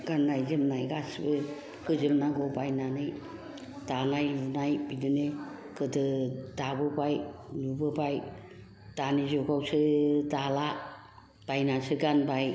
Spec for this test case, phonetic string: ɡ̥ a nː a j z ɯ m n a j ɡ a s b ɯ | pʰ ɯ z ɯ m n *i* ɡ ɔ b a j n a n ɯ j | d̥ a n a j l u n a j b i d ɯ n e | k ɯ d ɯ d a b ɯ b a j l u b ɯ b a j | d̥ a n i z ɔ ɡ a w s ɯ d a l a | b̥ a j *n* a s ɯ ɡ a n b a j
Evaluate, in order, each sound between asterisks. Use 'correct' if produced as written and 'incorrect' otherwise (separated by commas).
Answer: incorrect, correct